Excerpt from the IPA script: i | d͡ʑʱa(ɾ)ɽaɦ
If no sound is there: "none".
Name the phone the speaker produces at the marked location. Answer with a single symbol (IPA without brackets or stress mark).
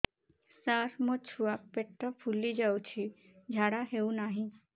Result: none